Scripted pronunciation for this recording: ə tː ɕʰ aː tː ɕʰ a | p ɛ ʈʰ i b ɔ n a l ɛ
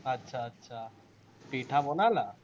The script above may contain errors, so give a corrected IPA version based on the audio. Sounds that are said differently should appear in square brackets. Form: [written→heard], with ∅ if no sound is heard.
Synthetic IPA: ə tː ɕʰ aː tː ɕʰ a | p [ɛ→i] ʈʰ [i→a] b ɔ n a l [ɛ→a]